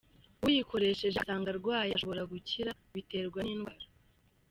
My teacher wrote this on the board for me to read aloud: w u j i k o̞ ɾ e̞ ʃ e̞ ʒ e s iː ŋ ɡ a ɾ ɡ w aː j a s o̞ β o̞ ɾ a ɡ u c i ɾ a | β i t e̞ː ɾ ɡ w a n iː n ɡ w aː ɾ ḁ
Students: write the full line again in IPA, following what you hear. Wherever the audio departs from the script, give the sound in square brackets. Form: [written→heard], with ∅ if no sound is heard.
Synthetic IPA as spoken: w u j i k o̞ ɾ e̞ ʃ e̞ ʒ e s [iː→aː] ŋ ɡ a ɾ ɡ w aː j a [s→ʃ] o̞ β o̞ ɾ a ɡ u c i ɾ a | β i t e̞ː ɾ ɡ w a n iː n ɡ w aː ɾ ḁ